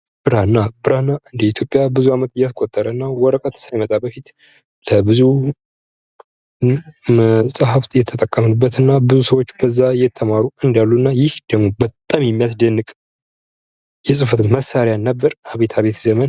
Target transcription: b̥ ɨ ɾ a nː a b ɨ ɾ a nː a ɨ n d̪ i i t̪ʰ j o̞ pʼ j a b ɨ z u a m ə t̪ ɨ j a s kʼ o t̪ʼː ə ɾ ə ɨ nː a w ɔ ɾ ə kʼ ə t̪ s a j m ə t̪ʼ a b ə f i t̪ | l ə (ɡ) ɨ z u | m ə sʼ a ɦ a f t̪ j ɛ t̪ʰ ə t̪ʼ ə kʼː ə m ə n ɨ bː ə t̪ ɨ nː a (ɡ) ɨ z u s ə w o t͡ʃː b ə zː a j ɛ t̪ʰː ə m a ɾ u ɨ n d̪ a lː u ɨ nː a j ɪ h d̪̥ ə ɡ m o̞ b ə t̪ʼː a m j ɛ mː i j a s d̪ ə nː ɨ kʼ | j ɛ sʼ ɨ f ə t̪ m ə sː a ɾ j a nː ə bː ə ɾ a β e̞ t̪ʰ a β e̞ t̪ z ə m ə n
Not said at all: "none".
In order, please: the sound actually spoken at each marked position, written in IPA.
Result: b, b

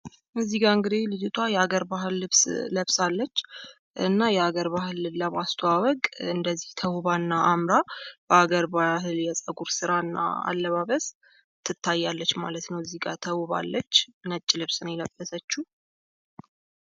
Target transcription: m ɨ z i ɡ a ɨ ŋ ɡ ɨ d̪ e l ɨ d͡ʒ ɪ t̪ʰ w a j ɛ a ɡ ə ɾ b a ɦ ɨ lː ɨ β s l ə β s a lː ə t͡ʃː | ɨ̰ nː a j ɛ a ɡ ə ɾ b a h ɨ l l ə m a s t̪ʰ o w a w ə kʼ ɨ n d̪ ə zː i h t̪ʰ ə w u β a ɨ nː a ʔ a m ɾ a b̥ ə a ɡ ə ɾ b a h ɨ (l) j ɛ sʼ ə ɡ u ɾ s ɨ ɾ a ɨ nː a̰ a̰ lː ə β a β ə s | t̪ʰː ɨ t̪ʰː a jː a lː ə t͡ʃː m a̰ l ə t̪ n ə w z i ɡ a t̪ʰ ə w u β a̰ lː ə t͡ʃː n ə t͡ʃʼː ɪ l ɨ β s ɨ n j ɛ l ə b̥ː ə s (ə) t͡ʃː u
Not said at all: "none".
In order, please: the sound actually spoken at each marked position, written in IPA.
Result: l, ə

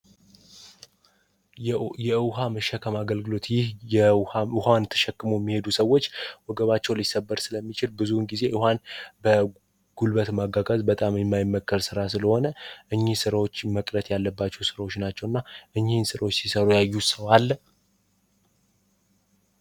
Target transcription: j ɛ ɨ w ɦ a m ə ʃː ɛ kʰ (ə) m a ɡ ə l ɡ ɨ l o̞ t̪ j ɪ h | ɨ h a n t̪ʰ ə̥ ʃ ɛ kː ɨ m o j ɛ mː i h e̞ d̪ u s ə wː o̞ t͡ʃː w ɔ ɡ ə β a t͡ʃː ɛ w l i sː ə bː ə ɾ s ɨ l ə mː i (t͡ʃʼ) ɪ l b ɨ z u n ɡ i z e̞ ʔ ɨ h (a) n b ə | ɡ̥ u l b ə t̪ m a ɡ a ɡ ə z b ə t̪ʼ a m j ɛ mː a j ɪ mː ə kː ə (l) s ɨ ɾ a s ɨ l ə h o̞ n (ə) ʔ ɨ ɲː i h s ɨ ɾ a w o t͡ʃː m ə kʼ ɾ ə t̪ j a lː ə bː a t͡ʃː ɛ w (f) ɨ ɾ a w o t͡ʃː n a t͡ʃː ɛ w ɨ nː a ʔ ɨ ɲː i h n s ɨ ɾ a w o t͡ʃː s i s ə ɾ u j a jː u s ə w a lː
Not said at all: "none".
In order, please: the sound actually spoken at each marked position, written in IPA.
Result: ə, t͡ʃ, a, ɾ, ə, s

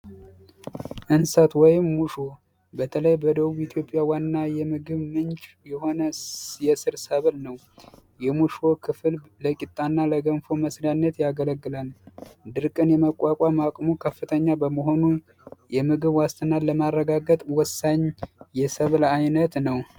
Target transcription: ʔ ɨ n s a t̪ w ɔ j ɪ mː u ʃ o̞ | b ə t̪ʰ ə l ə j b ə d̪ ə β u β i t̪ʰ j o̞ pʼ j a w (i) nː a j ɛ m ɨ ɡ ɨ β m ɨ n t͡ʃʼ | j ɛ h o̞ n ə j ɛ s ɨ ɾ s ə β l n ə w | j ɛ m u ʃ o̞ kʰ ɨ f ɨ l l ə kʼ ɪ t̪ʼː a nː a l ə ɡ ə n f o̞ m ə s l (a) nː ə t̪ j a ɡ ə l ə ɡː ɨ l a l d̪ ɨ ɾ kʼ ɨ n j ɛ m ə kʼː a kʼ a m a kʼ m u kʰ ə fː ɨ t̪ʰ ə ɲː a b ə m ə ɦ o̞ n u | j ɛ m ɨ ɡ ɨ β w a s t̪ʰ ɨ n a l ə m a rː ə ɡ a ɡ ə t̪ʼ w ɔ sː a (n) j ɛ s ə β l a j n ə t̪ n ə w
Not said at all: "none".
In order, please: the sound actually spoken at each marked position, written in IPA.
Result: a, a, ɲ

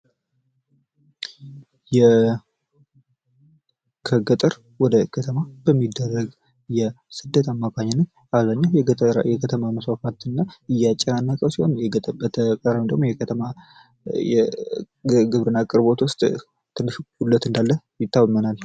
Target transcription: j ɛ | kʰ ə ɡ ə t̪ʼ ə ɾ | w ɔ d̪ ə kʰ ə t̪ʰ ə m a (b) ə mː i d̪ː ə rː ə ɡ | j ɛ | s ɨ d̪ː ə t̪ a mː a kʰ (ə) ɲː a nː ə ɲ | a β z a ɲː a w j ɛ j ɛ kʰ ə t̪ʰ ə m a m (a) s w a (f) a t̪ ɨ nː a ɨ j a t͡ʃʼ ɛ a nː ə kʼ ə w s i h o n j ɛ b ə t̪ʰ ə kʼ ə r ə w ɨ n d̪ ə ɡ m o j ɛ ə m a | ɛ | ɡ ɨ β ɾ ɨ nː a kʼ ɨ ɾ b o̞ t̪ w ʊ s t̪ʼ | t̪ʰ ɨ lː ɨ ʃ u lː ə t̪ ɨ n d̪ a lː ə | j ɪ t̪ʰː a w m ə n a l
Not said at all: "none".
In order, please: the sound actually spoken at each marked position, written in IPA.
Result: b, a, ə, f

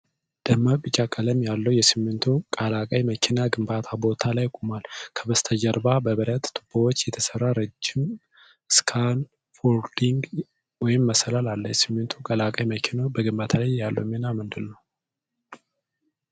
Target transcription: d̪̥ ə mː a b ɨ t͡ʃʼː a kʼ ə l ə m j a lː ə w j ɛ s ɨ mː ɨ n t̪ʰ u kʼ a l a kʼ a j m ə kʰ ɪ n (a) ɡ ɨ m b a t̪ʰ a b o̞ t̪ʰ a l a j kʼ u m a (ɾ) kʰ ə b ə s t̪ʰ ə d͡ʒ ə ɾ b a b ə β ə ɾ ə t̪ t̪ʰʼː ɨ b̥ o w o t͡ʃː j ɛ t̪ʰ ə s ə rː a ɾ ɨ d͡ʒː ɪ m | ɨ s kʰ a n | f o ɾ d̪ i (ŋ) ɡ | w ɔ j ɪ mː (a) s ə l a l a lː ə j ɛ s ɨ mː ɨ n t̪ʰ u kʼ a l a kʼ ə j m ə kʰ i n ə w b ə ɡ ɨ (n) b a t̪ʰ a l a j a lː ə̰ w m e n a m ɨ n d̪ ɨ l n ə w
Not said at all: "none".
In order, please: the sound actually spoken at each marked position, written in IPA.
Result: a, l, ŋ, ə, m

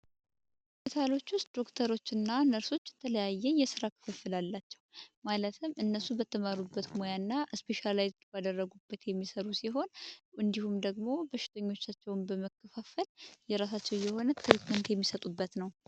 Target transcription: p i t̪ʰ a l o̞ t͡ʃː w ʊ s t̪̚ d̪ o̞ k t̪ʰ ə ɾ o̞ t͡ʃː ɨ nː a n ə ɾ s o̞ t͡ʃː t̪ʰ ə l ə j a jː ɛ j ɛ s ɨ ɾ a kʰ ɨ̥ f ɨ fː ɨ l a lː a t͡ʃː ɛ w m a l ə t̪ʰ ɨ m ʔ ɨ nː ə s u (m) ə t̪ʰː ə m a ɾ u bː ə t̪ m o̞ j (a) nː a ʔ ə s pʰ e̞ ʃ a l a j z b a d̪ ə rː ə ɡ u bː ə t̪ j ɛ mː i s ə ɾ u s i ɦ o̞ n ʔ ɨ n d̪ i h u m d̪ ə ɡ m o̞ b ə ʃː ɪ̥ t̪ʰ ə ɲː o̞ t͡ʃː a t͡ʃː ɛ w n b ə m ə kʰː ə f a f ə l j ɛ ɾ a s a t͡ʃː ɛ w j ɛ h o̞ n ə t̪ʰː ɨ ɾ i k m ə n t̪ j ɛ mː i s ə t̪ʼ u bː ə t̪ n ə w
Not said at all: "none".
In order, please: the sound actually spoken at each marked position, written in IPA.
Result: b, a

